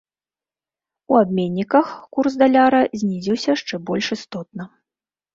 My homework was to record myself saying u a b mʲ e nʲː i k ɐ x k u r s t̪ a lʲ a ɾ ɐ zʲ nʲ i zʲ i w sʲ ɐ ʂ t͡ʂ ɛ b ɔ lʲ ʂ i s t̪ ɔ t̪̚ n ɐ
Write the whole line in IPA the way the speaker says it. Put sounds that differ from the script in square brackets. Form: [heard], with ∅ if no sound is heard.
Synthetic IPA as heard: u a b mʲ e nʲː i k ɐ x k u r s [d̪] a lʲ a ɾ ɐ zʲ nʲ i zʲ i w sʲ ɐ ʂ t͡ʂ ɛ b ɔ lʲ ʂ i s t̪ ɔ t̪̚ n ɐ